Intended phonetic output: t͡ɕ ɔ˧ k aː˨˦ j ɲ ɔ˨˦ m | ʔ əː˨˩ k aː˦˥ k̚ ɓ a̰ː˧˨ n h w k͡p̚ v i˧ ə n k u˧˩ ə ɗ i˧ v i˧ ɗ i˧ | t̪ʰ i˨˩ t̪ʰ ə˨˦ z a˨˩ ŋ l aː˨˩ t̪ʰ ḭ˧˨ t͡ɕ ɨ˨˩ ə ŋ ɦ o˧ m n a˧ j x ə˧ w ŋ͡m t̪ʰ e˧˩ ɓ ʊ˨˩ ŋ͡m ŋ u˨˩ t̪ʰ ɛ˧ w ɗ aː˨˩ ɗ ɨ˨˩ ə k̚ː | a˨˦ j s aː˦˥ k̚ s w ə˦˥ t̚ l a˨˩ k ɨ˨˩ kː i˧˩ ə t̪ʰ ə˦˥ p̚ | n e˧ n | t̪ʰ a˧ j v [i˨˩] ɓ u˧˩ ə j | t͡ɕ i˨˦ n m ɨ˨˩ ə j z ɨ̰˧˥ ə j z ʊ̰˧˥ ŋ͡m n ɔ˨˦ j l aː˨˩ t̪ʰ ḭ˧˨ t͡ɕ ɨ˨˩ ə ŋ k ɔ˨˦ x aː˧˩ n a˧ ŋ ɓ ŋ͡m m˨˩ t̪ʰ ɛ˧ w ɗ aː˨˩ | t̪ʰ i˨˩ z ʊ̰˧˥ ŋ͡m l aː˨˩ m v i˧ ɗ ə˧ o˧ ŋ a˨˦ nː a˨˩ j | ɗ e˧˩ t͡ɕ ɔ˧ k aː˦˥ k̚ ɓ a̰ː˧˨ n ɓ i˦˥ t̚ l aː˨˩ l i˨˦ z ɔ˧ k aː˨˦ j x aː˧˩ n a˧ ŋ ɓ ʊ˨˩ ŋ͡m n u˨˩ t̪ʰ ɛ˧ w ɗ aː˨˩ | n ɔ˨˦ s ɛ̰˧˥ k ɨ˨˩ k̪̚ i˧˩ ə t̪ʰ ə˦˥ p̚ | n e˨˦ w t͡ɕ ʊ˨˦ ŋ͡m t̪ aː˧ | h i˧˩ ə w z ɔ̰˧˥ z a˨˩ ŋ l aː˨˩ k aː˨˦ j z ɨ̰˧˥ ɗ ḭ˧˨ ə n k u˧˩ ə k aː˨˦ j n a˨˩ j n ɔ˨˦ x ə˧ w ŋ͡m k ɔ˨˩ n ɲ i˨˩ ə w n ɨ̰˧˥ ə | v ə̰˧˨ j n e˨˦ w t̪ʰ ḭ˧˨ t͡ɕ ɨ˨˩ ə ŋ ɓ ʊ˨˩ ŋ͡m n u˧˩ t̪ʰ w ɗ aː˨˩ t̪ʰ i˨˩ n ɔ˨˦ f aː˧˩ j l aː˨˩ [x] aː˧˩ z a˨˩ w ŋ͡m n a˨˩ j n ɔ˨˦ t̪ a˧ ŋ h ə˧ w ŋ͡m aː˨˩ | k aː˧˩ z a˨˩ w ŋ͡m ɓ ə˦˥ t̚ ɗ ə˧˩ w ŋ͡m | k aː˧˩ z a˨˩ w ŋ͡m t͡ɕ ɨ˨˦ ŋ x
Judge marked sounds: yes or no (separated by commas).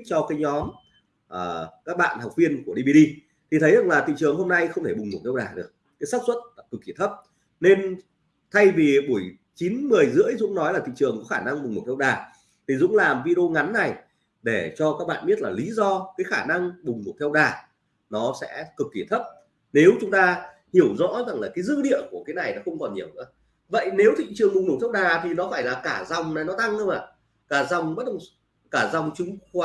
yes, no